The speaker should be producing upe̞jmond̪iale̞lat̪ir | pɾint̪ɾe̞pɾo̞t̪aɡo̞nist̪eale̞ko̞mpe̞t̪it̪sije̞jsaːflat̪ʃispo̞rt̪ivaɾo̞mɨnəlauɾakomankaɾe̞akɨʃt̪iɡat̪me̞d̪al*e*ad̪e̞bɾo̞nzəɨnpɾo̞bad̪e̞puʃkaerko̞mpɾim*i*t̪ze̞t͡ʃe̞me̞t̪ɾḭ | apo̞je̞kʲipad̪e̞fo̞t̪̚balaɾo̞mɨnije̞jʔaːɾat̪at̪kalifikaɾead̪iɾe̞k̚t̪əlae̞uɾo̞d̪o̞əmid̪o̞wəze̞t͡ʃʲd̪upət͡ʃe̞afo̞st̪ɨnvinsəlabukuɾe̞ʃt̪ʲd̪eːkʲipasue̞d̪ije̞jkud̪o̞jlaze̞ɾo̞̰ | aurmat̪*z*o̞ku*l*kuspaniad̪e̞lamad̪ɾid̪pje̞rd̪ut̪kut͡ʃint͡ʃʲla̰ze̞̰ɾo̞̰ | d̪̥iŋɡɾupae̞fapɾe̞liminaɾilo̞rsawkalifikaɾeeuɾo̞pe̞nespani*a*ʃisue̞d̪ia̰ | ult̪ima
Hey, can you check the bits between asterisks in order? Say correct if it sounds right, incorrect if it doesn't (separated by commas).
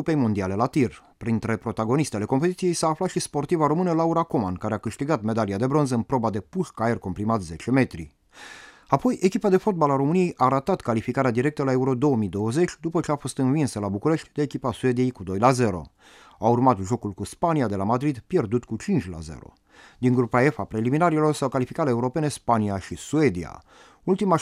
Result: incorrect, incorrect, incorrect, correct, correct